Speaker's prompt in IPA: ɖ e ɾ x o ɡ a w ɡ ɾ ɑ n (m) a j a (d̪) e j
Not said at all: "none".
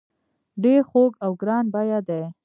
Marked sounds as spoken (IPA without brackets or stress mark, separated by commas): b, d̪